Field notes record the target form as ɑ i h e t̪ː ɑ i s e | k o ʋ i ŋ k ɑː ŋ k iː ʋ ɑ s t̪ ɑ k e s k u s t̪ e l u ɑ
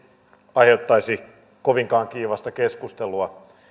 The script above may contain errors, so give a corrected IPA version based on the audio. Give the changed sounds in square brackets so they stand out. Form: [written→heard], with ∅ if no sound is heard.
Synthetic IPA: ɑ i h e t̪ː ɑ i s [e→i] | k o ʋ i ŋ k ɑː ŋ k iː ʋ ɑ s t̪ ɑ k e s k u s t̪ e l u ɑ